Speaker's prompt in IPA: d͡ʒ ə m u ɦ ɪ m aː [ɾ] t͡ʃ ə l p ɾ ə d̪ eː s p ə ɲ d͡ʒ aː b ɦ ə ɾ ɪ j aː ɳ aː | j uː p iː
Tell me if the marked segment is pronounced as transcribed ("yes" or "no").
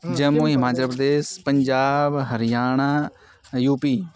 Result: no